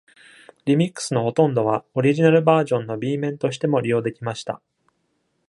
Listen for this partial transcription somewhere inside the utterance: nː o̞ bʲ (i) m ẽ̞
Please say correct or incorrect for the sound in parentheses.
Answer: incorrect: iː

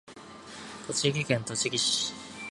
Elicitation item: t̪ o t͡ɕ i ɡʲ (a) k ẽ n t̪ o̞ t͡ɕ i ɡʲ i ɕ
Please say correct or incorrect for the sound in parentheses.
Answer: incorrect: i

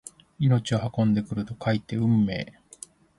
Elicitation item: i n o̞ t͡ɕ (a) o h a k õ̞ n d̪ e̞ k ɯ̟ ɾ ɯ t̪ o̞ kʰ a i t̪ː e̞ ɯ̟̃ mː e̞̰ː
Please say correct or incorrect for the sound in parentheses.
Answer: incorrect: i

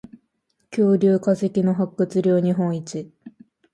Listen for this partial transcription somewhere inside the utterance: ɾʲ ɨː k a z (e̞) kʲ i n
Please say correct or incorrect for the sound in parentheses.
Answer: correct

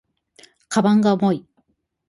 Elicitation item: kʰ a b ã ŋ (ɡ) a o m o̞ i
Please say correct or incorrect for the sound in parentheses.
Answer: correct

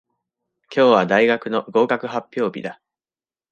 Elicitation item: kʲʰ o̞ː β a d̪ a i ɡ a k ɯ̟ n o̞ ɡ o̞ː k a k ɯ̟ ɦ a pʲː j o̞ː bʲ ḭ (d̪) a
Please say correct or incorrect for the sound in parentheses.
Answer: correct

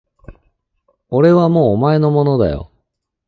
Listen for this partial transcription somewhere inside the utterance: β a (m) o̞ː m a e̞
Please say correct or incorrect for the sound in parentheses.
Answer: correct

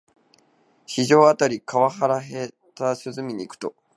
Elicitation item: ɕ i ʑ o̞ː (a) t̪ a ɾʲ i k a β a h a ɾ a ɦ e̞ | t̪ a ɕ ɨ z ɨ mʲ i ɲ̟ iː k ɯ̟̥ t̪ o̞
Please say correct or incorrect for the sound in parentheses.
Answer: correct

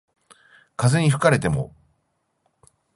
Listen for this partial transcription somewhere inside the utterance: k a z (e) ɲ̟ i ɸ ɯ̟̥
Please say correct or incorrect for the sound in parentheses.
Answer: correct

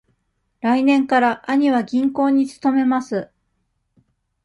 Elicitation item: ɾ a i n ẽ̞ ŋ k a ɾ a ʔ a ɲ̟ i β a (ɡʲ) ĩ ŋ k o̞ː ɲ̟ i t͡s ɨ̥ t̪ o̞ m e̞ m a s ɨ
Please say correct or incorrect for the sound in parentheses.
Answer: correct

